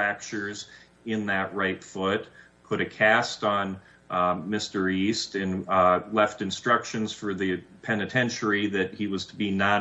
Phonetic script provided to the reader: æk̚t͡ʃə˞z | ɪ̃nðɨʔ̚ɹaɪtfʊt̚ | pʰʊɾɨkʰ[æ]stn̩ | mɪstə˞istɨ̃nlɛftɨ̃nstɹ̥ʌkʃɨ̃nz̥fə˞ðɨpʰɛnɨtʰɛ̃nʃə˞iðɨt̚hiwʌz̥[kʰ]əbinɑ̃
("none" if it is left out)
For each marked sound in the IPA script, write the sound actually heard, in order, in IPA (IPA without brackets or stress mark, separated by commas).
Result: æ, tʰ